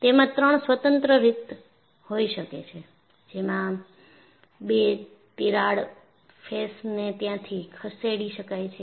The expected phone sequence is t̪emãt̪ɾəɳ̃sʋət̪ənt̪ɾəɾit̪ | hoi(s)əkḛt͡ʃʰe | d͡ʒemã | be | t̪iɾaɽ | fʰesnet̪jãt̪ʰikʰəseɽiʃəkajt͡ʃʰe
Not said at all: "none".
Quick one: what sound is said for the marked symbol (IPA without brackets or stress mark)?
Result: ʃ